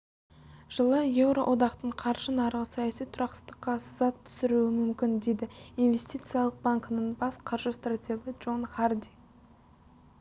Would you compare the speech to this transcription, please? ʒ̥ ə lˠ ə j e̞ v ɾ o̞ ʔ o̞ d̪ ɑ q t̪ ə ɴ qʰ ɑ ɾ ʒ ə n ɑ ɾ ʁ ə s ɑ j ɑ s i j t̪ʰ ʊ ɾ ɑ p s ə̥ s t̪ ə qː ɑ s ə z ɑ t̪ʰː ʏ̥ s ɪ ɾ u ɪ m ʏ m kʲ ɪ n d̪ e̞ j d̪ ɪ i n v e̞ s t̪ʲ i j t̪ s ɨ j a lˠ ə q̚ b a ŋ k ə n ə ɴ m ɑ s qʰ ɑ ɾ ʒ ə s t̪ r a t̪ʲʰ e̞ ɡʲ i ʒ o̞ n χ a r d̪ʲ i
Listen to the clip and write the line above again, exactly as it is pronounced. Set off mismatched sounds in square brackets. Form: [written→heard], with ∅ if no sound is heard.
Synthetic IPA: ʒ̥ ə lˠ ə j e̞ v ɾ o̞ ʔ o̞ d̪ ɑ q t̪ ə ɴ qʰ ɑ ɾ ʒ ə n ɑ ɾ ʁ ə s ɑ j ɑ s i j t̪ʰ ʊ ɾ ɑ [p→q] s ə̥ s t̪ ə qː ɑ s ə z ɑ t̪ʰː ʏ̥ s ɪ ɾ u ɪ m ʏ m kʲ ɪ n d̪ e̞ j d̪ ɪ i n v e̞ s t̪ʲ i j t̪ s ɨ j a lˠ ə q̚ b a ŋ k ə n ə ɴ [m→b] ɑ s qʰ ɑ ɾ ʒ ə s t̪ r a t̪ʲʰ e̞ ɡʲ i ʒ o̞ n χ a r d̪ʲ i